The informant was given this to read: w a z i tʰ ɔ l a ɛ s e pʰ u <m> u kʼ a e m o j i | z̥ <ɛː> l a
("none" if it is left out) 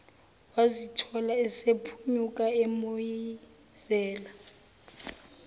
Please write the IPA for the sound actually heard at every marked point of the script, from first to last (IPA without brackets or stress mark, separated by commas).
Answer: ɲ, ɛː